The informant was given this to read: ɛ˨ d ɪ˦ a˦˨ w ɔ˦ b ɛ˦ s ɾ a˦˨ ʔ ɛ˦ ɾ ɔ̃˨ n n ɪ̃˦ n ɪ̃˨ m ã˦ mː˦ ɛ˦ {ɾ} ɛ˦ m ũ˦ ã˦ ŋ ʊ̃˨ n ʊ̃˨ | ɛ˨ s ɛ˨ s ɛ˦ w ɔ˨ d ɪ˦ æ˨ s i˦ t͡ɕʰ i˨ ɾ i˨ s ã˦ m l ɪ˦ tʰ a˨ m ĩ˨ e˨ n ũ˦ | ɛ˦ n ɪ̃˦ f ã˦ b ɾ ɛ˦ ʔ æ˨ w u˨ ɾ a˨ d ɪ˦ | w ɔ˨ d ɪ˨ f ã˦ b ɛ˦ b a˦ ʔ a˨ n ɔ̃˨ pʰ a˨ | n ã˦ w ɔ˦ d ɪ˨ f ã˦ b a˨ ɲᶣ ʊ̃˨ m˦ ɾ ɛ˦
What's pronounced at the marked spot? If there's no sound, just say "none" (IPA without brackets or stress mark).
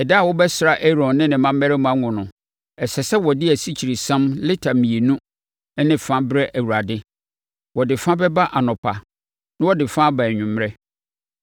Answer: ɾ